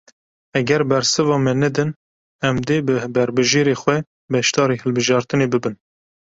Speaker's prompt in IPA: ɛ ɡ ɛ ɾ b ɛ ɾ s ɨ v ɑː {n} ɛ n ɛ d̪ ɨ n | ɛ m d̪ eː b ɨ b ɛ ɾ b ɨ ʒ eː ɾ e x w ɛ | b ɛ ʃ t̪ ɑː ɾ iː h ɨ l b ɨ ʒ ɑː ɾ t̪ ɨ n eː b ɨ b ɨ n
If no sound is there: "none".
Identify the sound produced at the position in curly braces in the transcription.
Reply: m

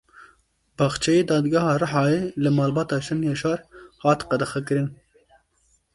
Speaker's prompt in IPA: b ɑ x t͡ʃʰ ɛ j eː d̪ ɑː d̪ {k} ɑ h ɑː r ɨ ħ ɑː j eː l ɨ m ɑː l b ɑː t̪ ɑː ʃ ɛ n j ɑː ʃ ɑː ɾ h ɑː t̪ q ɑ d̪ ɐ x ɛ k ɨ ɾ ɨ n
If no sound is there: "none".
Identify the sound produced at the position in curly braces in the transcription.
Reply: ɡ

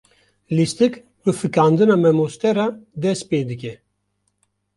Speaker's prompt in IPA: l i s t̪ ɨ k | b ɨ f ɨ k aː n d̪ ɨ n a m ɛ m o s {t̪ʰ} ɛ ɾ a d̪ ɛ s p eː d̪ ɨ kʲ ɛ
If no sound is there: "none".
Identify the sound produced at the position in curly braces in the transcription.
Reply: t̪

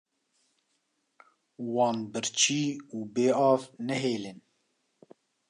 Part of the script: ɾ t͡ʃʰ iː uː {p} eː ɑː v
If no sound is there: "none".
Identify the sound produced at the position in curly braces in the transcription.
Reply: b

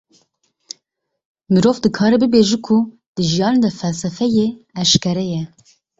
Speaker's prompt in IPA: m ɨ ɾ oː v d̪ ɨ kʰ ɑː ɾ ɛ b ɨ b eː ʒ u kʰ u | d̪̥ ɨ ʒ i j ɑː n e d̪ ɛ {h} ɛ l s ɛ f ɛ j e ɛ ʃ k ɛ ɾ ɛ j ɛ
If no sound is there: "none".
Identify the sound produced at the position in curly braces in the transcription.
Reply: f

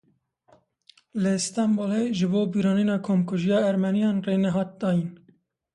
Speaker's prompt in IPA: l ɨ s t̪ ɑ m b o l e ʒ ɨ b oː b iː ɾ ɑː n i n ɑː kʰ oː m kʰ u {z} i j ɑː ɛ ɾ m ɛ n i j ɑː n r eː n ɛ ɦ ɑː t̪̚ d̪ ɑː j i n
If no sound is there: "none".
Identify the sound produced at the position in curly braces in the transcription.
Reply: ʒ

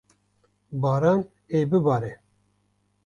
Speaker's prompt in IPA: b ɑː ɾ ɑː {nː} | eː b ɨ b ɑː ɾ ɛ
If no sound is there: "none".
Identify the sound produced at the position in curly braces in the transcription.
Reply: n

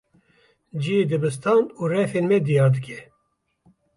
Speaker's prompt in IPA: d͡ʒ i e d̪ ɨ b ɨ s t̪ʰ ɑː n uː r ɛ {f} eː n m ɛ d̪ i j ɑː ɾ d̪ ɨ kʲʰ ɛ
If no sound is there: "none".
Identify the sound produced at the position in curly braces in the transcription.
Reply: f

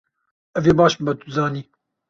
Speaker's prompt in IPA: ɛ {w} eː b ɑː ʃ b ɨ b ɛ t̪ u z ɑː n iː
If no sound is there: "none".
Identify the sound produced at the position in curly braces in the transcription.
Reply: v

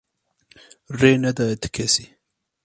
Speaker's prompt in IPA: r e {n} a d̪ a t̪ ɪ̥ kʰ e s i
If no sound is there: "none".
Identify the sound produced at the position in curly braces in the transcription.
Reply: n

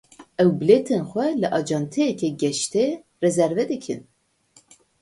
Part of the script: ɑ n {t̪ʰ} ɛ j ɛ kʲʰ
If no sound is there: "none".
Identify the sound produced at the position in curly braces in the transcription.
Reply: t̪ʰ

